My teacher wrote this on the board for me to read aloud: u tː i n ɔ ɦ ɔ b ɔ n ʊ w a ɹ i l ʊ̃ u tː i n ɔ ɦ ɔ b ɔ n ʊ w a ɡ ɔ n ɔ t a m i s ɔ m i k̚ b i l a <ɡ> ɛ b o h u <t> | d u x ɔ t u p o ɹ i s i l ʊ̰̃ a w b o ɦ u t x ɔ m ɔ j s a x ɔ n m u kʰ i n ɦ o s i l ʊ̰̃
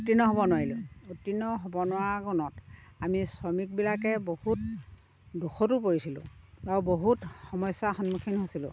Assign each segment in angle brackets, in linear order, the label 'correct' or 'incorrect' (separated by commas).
incorrect, correct